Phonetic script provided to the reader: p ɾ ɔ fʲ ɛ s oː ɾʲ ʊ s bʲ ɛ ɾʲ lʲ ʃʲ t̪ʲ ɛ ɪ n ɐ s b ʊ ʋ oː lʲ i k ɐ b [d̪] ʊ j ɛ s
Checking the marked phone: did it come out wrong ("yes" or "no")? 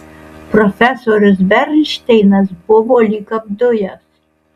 no